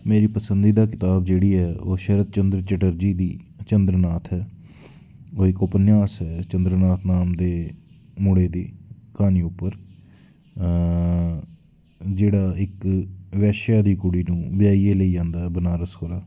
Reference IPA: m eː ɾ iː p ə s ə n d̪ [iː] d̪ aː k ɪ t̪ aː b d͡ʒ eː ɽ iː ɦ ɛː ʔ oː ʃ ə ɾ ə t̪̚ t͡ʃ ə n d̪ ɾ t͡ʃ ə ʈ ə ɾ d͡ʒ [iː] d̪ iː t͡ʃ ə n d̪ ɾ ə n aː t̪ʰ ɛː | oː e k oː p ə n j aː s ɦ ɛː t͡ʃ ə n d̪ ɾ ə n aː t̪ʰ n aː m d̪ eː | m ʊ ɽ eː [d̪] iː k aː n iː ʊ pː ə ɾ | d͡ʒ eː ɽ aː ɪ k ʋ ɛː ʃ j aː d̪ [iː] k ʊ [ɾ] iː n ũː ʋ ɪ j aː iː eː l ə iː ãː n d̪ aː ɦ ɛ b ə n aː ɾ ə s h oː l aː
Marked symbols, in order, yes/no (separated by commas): yes, yes, yes, yes, no